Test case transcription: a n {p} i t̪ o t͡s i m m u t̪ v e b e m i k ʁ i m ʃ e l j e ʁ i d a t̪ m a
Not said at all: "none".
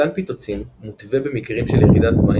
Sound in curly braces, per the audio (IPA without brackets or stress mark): p